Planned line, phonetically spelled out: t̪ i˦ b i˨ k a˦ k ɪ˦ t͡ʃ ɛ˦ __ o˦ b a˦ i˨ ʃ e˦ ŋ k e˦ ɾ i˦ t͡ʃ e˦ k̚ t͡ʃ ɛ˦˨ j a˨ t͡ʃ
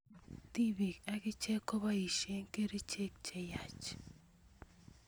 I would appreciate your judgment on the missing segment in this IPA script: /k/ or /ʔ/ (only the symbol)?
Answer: k